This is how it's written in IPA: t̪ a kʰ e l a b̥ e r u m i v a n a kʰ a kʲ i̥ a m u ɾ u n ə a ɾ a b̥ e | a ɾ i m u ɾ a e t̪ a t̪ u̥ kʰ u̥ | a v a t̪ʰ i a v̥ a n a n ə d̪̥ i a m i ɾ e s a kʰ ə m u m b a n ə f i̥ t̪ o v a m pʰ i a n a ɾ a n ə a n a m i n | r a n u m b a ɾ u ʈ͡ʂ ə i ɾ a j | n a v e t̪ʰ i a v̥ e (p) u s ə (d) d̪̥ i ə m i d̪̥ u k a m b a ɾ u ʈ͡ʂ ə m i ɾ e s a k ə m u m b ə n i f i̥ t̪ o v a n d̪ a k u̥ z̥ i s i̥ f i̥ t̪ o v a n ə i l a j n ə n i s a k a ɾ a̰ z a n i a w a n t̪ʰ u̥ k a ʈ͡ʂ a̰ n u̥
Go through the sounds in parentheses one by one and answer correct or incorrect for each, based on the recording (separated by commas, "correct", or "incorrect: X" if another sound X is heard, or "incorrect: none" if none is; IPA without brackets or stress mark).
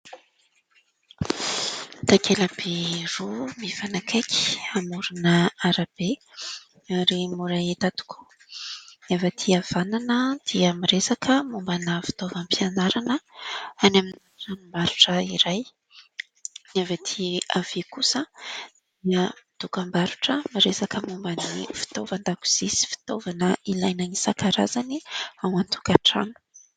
incorrect: k, correct